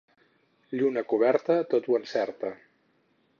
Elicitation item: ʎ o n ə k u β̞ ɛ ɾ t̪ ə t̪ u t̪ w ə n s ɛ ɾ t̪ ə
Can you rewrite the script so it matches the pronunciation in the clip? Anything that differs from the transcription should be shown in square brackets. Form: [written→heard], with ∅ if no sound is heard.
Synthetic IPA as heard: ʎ [o→u] n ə k u β̞ ɛ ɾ t̪ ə t̪ [u→o] t̪ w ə n s ɛ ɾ t̪ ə